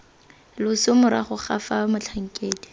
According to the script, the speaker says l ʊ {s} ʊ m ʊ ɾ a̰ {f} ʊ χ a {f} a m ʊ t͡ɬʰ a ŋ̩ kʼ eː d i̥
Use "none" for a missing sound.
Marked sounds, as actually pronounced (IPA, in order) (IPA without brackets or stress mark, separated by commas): s, χ, f